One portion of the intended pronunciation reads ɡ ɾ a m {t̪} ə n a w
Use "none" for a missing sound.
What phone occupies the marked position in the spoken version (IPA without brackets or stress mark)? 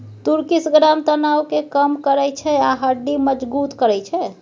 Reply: t̪